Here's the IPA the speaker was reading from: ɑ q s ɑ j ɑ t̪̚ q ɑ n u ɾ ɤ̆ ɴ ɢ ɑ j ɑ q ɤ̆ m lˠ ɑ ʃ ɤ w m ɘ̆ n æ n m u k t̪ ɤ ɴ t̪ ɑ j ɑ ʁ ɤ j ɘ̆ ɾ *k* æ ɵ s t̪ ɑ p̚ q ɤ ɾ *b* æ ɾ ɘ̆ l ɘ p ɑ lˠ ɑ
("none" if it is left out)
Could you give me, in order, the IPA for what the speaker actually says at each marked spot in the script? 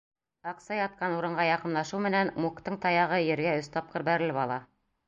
ɡ, b

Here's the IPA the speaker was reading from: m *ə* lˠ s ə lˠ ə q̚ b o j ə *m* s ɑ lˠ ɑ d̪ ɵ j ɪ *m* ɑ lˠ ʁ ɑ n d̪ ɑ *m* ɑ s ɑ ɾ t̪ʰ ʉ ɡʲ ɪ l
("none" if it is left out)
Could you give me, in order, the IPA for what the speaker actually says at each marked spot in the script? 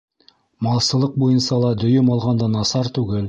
ɑ, n, m, n

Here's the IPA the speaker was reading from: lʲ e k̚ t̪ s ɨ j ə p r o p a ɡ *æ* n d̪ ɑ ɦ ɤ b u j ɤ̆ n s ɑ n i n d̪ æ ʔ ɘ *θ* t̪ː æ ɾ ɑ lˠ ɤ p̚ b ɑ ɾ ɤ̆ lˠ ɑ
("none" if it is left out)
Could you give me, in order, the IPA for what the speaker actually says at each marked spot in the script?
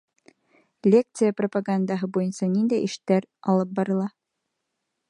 a, ʃ

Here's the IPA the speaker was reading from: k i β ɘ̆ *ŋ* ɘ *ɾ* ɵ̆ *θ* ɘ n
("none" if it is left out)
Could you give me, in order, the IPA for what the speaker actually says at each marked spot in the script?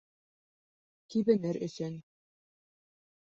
n, ɾ, s

